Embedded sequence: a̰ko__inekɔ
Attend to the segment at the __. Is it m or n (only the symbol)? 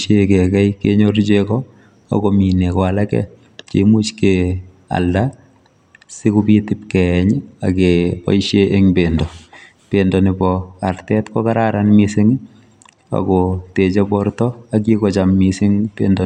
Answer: m